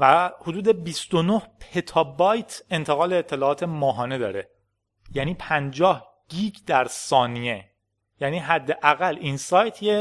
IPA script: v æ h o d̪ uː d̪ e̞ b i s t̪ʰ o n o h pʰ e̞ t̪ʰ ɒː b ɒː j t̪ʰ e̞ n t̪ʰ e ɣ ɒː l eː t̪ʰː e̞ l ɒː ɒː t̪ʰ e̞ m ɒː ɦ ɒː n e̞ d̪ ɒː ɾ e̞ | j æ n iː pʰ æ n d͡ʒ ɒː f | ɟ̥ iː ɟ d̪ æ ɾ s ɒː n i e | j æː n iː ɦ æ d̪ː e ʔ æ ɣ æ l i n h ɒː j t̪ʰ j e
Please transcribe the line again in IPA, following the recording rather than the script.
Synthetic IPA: v æ h o d̪ uː d̪ e̞ b i s t̪ o n o h pʰ e̞ t̪ʰ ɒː b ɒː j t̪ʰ e̞ n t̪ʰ e ɣ ɒː l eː t̪ʰː e̞ l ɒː ɒː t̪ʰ e̞ m ɒː ɦ ɒː n e̞ d̪ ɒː ɾ e̞ | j æ n iː pʰ æ n d͡ʒ ɒː h | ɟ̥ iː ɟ d̪ æ ɾ s ɒː n i e | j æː n iː ɦ æ d̪ː e ʔ æ ɣ æ l i n s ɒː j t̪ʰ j e